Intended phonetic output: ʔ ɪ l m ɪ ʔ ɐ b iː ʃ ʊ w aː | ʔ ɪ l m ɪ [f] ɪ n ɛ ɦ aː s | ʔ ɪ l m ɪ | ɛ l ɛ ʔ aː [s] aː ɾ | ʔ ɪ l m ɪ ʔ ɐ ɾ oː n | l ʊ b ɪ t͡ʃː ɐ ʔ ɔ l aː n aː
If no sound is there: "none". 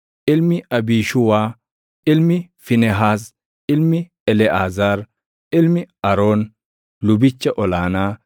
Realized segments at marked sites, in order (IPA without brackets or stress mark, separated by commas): f, z